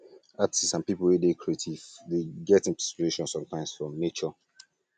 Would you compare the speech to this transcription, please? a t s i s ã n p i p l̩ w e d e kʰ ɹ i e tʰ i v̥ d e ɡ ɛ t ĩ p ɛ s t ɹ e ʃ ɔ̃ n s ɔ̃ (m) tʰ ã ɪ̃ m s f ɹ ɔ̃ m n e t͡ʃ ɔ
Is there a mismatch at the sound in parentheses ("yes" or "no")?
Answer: no